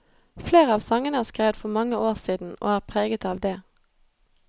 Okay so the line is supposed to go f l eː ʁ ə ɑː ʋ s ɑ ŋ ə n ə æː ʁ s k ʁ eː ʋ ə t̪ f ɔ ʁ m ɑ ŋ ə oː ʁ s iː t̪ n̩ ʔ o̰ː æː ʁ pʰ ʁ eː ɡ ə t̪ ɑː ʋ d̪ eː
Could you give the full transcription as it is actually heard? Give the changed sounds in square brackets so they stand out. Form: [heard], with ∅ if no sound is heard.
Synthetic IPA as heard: f l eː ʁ ə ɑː ʋ s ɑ ŋ ə n ə æː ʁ s k ʁ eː ʋ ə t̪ f ɔ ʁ m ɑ ŋ ə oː ʁ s iː [d̪] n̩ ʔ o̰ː æː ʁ pʰ ʁ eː ɡ ə t̪ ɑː ʋ d̪ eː

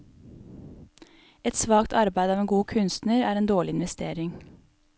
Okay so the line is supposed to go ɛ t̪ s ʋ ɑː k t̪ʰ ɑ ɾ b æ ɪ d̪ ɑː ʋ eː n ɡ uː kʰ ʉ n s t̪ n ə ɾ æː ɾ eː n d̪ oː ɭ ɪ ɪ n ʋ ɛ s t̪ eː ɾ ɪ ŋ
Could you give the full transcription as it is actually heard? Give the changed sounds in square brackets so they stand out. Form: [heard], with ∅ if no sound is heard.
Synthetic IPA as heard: ɛ t̪ s ʋ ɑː k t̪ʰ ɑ ɾ b æ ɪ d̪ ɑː ʋ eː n ɡ uː kʰ ʉ n s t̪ n ə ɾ æː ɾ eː n d̪ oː ɭ ɪ ɪ n ʋ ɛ s t̪ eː ɾ ɪ ŋ

